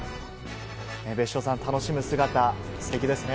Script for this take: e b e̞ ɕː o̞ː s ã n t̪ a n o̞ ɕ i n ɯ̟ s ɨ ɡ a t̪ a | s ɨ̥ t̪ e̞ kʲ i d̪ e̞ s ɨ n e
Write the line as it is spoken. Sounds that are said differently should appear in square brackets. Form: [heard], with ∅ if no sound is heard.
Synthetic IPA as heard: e b e̞ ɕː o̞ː s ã n t̪ a n o̞ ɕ i [m] ɯ̟ s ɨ ɡ a t̪ a | s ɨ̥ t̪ e̞ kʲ i d̪ e̞ s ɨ n e